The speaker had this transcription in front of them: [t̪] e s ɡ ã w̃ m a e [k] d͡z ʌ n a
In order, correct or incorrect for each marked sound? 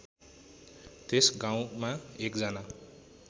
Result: correct, correct

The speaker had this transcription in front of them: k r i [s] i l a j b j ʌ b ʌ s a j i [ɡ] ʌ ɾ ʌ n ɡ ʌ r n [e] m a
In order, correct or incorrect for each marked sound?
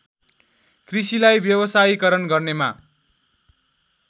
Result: correct, incorrect: k, correct

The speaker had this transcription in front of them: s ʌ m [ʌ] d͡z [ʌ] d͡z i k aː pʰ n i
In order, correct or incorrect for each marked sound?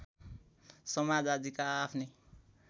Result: incorrect: a, incorrect: a

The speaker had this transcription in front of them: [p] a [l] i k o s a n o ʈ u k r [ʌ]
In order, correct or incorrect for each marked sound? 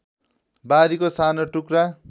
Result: incorrect: b, incorrect: ɾ, incorrect: a

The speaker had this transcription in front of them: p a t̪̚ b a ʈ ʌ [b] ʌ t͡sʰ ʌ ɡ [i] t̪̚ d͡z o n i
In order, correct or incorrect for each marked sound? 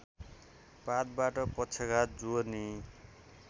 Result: incorrect: p, incorrect: a

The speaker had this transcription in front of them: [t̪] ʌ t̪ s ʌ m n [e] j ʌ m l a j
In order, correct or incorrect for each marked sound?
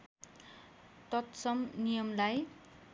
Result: correct, incorrect: i

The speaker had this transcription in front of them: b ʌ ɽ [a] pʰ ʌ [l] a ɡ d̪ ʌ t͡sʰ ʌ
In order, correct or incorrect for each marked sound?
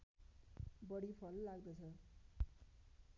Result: incorrect: i, incorrect: lː

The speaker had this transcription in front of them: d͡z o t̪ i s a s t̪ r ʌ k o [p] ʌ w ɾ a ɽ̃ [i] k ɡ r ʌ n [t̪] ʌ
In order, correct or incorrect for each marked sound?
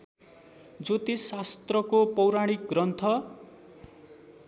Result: correct, correct, incorrect: t̪ʰ

